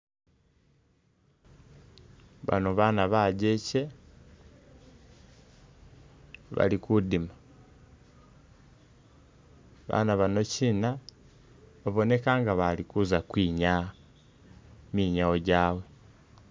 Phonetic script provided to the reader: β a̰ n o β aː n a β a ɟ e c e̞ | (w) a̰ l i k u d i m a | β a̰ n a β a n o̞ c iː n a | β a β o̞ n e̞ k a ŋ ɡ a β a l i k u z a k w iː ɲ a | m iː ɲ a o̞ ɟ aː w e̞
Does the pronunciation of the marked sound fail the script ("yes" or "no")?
yes